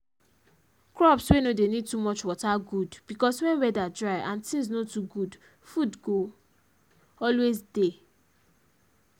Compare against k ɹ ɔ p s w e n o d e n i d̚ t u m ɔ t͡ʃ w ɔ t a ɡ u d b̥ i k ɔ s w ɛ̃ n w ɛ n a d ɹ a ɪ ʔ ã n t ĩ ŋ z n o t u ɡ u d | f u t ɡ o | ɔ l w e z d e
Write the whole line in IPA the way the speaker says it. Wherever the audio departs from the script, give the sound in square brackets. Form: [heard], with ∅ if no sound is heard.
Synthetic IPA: k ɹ ɔ p s w e n o d e n i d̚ t u m ɔ t͡ʃ w ɔ t a ɡ u d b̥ i k ɔ s w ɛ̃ n w ɛ [d] a d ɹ a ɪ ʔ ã n t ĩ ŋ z n o t u ɡ u d | f u [d] ɡ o | ɔ l w e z d e